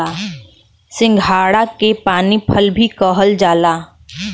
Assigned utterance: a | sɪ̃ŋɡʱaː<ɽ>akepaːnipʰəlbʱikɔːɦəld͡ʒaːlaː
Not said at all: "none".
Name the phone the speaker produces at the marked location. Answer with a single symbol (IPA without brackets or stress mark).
ɽ